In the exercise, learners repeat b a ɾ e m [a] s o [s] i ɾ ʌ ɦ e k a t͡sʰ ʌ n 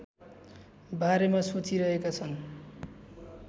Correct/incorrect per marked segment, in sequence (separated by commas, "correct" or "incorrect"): correct, incorrect